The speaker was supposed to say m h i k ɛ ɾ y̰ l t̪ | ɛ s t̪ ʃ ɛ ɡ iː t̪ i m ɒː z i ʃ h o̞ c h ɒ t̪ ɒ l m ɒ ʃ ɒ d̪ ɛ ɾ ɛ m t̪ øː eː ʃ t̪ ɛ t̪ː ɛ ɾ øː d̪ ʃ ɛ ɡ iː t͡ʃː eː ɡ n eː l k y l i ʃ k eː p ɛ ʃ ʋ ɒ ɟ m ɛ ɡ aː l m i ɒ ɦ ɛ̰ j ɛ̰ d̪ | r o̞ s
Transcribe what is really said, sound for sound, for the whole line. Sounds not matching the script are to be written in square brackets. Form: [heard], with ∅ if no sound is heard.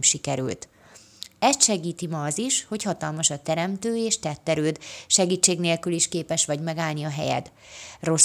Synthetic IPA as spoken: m [ʃ] i k ɛ ɾ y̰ l t̪ | ɛ s t̪ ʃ ɛ ɡ iː t̪ i m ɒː z i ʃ h o̞ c h ɒ t̪ ɒ l m ɒ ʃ ɒ [t̪] ɛ ɾ ɛ m t̪ øː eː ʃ t̪ ɛ t̪ː ɛ ɾ øː d̪ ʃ ɛ ɡ iː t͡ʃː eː ɡ n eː l k y l i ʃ k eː p ɛ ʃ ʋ ɒ ɟ m ɛ ɡ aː l [n] i ɒ ɦ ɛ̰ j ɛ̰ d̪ | r o̞ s